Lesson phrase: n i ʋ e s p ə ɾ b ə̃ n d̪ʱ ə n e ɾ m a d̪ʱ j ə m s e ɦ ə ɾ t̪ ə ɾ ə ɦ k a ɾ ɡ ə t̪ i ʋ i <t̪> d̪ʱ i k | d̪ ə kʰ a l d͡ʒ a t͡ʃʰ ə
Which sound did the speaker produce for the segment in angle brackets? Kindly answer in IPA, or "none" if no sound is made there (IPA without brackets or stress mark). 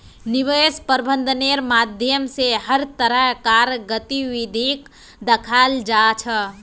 none